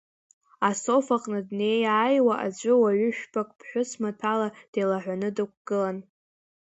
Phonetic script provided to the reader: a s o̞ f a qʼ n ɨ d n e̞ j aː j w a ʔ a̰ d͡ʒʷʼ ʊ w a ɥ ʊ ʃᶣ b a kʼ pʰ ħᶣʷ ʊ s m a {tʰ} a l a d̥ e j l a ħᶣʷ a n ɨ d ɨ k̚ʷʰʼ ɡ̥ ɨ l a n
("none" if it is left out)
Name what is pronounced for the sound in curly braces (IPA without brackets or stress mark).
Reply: tʰ